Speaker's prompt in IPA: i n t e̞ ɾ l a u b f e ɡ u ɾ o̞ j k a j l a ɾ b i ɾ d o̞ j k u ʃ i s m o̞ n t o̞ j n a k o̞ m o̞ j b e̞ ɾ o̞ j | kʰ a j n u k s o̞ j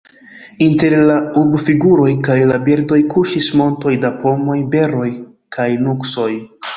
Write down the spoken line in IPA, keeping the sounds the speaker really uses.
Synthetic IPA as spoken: i n t e̞ ɾ l a u b f i ɡ u ɾ o̞ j k a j l a b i ɾ d o̞ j k u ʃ i s m o̞ n t o̞ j d a p o̞ m o̞ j b e̞ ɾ o̞ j | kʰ a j n u k s o̞ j